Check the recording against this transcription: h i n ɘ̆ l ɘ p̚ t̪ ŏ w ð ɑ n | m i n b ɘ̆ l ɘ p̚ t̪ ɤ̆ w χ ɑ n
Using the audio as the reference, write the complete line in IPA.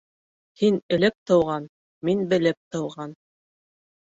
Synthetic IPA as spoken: h i n ɘ̆ l ɘ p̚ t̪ ɤ̆ w ʁ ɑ n | m i n b ɘ̆ l ɘ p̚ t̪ ɤ̆ w ʁ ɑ n